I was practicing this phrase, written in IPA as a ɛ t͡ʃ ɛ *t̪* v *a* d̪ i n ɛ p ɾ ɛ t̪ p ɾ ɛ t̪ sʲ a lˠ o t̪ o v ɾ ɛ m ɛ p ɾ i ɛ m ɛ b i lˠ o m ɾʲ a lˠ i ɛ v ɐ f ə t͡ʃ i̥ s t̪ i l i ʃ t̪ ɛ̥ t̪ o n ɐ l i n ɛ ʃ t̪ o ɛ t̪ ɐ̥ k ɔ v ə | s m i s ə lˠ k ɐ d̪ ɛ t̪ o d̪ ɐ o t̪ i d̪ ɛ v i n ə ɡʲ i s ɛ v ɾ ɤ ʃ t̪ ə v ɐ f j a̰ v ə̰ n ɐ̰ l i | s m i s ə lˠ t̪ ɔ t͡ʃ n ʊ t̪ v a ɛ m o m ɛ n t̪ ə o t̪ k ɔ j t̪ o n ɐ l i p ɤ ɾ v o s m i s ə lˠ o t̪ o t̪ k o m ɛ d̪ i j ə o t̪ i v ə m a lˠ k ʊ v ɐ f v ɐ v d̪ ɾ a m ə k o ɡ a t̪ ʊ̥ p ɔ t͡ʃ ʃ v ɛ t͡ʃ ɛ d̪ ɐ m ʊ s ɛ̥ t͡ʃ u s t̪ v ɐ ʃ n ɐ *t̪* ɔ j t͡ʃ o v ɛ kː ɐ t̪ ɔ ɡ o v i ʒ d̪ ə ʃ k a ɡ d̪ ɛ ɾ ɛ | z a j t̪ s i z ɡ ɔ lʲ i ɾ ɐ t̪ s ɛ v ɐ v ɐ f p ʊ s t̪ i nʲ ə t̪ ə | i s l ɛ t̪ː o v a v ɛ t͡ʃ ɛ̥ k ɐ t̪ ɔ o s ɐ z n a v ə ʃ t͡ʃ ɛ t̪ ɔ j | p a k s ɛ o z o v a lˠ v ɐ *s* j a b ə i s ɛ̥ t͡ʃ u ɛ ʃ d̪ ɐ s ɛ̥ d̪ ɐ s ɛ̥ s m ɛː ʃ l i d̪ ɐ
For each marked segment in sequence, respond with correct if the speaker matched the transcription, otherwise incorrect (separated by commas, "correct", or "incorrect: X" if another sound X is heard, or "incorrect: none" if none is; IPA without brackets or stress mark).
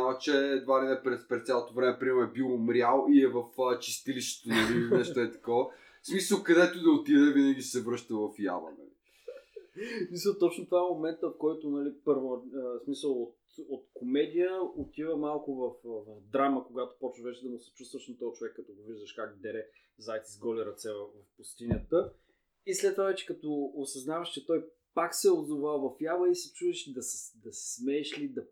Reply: incorrect: d̪, correct, correct, incorrect: f